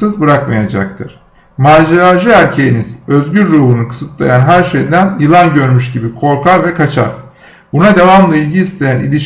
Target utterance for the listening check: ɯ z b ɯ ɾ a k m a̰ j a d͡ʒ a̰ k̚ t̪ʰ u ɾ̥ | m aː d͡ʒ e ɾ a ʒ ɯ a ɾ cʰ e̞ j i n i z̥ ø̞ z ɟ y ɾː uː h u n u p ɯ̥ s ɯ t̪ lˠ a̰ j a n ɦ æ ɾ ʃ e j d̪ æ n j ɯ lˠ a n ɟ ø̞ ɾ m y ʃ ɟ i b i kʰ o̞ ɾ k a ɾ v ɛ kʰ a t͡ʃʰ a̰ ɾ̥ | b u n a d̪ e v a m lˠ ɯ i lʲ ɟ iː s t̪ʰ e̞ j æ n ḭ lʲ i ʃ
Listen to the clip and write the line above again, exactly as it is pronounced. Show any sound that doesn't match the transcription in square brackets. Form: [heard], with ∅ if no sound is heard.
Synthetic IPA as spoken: ɯ z b ɯ ɾ a k m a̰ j a d͡ʒ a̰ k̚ t̪ʰ [ɯ] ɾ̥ | m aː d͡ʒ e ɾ a ʒ ɯ [æ] ɾ cʰ e̞ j i n i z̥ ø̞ z ɟ y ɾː uː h u n u [k] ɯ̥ s ɯ t̪ lˠ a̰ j a n ɦ æ ɾ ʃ e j d̪ æ n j ɯ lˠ a n ɟ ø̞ ɾ m y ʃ ɟ i b i kʰ o̞ ɾ k a ɾ v ɛ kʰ a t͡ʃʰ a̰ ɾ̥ | b u n a d̪ e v a m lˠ ɯ i lʲ ɟ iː s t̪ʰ e̞ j æ n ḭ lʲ i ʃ